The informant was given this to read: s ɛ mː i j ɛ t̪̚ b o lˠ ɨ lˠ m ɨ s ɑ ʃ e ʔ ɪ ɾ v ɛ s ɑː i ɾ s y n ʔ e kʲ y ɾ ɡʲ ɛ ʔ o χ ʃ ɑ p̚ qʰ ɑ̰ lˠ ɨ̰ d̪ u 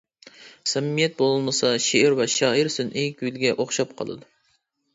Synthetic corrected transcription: s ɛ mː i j ɛ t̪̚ b o lˠ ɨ lˠ m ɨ s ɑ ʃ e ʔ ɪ ɾ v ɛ ʃ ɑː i ɾ s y n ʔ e kʲ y l ɡʲ ɛ ʔ o χ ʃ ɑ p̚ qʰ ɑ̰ lˠ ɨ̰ d̪ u

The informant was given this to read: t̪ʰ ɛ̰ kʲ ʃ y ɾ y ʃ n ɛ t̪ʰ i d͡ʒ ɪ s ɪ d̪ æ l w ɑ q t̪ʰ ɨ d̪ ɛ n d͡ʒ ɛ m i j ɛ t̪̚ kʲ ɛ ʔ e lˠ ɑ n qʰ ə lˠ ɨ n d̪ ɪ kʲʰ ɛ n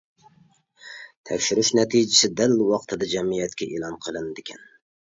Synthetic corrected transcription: t̪ʰ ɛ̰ kʲ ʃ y ɾ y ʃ n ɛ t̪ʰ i d͡ʒ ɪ s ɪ d̪ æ l w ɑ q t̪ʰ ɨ d̪ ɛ d͡ʒ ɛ m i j ɛ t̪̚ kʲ ɛ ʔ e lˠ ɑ n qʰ ə lˠ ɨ n d̪ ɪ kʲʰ ɛ n

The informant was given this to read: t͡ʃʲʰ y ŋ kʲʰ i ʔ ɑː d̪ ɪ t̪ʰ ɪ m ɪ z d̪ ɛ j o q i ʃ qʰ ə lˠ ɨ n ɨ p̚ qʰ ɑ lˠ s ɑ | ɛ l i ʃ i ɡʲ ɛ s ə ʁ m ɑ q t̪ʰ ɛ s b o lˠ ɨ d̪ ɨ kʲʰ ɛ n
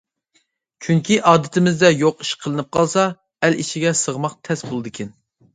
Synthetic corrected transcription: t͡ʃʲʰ y ŋ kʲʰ i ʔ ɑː d̪ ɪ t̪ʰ ɪ m ɪ z d̪ ɛ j o q i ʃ qʰ ə lˠ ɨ n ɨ p̚ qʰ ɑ lˠ s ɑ | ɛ l i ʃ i ɡʲ ɛ s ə ʁ m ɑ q t̪ʰ ɛ s b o lˠ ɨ d̪ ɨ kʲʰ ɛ n

